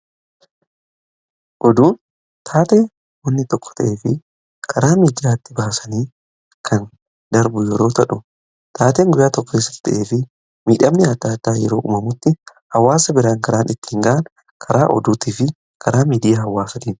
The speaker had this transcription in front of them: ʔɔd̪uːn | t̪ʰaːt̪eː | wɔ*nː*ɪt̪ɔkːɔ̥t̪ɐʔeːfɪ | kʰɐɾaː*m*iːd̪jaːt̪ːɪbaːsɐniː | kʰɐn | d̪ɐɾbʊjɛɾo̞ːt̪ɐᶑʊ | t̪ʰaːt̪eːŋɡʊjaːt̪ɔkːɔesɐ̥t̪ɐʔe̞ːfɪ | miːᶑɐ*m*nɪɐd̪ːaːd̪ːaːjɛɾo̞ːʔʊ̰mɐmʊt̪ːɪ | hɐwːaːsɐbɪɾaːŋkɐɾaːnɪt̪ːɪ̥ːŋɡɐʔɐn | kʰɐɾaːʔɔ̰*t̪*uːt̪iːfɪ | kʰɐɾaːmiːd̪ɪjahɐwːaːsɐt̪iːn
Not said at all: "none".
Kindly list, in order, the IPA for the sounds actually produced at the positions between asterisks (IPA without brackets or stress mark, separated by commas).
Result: nː, m, m, d̪